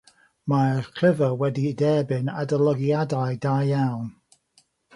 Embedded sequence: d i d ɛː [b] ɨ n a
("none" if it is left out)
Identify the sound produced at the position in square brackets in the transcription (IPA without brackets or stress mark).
b